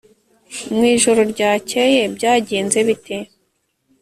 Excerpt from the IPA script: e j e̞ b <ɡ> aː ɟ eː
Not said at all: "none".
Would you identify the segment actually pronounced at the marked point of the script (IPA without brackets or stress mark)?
ɟ